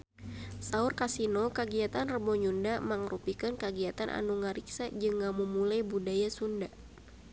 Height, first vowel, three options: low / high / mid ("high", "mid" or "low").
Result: low